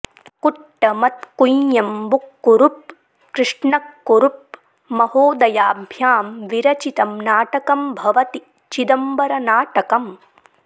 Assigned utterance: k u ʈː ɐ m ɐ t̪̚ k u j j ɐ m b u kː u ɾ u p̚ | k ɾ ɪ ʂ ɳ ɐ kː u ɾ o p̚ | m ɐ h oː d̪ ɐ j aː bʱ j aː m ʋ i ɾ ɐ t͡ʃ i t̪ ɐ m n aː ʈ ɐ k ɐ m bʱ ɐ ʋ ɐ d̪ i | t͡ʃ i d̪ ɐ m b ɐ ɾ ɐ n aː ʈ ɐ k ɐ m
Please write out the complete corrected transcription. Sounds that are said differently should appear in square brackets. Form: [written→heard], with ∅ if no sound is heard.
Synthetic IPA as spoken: k u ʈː ɐ m ɐ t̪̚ k u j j ɐ m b u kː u ɾ u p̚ | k ɾ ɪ ʂ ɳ ɐ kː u ɾ [o→u] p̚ | m ɐ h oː d̪ ɐ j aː bʱ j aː m ʋ i ɾ ɐ t͡ʃ i t̪ ɐ m n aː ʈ ɐ k ɐ m bʱ ɐ ʋ ɐ [d̪→t̪] i | t͡ʃ i d̪ ɐ m b ɐ ɾ ɐ n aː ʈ ɐ k ɐ m